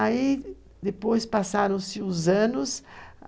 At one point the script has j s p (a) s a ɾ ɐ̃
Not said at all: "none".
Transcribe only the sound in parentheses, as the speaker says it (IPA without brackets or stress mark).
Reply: a